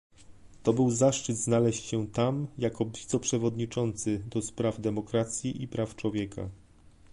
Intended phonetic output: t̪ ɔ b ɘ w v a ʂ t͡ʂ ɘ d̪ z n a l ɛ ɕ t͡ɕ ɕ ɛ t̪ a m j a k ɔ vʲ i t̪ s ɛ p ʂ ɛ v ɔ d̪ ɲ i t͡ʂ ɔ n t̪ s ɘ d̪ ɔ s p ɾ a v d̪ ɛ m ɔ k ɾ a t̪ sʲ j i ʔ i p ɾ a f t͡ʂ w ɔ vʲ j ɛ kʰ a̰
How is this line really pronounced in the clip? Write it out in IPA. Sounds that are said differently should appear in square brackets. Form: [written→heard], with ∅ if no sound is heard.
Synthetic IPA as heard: t̪ ɔ b ɘ w [v→z] a ʂ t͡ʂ ɘ d̪ z n a l ɛ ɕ t͡ɕ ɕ ɛ t̪ a m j a k ɔ vʲ i t̪ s ɛ p ʂ ɛ v ɔ d̪ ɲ i t͡ʂ ɔ n t̪ s ɘ d̪ ɔ s p ɾ a v d̪ ɛ m ɔ k ɾ a t̪ sʲ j i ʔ i p ɾ a f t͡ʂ w ɔ vʲ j ɛ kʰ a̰